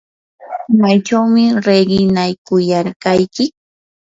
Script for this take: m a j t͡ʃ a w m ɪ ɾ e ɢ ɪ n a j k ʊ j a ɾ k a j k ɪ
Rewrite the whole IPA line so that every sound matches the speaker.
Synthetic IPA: m a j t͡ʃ a w m ɪ ɾ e ɢ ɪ n a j k ʊ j a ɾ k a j k ɪ